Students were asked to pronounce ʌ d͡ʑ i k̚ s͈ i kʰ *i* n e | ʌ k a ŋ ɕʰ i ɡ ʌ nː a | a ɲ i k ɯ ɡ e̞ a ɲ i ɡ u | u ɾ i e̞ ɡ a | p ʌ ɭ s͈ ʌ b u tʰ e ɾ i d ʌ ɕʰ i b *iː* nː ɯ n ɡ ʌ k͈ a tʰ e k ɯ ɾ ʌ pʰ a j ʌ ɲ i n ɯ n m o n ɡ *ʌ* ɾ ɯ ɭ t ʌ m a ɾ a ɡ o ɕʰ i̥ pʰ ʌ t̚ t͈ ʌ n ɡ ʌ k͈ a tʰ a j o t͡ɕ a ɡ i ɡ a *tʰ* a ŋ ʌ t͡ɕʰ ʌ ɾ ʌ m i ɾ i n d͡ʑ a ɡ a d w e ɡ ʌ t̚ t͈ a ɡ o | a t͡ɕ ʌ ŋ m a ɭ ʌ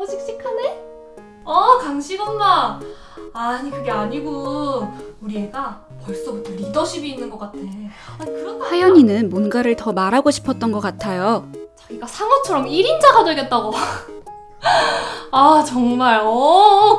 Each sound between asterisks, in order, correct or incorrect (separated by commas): incorrect, correct, incorrect, incorrect